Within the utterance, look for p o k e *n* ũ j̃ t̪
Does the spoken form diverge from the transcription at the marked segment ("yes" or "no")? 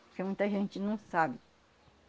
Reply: yes